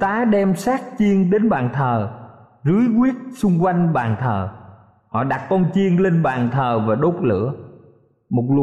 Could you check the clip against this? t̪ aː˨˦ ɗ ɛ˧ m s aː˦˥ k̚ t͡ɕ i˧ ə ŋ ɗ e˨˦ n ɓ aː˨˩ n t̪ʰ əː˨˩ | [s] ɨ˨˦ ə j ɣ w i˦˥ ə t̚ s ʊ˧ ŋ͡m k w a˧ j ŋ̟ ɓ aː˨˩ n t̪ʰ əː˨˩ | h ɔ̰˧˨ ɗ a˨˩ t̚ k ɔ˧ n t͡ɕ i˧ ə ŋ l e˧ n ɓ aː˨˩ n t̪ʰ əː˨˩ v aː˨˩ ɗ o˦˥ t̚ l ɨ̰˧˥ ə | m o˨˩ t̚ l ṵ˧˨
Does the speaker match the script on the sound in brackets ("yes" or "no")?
no